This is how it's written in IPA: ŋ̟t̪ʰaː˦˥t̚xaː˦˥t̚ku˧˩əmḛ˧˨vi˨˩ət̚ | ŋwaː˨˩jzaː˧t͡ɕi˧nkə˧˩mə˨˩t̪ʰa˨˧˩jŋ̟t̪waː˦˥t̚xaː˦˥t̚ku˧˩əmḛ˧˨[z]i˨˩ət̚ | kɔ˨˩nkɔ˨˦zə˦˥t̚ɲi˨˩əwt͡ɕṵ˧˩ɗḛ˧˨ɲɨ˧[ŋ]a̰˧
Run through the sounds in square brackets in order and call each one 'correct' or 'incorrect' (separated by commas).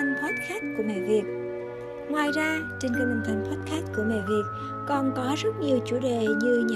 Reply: incorrect, incorrect